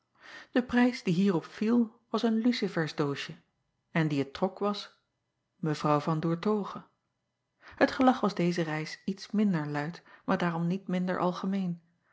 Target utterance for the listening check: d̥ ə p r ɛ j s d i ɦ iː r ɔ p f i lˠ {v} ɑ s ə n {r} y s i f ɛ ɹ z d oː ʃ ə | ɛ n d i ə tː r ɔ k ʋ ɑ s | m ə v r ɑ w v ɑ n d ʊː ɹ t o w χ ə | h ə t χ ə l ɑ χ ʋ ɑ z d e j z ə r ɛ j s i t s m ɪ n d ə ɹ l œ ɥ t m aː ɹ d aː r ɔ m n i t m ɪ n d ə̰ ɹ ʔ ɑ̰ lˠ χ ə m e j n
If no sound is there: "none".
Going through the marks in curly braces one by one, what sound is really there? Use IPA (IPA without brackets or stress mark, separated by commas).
ʋ, l